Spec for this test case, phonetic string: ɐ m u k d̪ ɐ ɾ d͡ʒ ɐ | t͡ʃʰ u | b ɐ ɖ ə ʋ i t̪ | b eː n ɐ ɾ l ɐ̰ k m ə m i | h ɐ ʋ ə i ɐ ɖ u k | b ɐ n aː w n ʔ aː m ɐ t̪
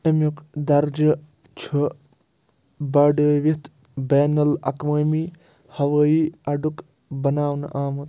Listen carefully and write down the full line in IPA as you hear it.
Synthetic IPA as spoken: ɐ m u k d̪ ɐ ɾ d͡ʒ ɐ | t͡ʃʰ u | b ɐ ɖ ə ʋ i t̪ | b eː n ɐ l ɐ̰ k m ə m i | h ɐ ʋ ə i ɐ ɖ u k | b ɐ n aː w n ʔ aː m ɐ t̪